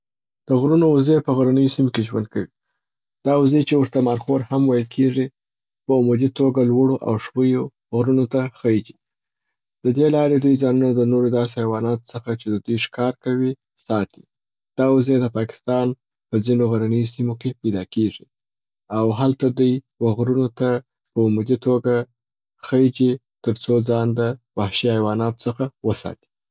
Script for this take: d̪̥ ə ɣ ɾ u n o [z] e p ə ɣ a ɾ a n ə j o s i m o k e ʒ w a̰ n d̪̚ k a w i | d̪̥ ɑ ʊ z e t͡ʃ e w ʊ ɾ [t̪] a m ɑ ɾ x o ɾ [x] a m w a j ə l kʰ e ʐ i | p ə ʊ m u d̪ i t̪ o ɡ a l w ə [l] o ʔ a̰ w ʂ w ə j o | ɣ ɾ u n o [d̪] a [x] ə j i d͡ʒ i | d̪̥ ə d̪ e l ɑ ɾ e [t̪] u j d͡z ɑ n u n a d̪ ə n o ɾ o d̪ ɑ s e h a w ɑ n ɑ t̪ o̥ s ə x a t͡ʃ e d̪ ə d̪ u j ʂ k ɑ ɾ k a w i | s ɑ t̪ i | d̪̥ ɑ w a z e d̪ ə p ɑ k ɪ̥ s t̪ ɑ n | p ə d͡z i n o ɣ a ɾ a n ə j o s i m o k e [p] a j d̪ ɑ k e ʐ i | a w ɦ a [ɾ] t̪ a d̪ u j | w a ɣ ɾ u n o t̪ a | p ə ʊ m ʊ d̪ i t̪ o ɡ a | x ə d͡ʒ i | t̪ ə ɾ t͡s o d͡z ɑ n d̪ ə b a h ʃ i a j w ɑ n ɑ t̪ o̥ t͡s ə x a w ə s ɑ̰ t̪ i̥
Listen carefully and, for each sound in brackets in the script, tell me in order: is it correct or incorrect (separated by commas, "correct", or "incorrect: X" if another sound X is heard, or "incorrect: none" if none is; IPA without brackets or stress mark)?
correct, correct, incorrect: h, incorrect: ɽ, incorrect: t̪, correct, incorrect: d̪, correct, incorrect: l